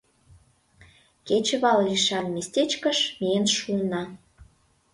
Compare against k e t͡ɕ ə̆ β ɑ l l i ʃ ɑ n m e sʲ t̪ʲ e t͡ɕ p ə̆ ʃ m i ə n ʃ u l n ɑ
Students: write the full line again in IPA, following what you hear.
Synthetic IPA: k e t͡ɕ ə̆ β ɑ l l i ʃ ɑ n m e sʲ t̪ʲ e t͡ɕ k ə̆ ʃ m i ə n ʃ u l n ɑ